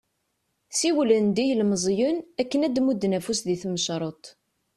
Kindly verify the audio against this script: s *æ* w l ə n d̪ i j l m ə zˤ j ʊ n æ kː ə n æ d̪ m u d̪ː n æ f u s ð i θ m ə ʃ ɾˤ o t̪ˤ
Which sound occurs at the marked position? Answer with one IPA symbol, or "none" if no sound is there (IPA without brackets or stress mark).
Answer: i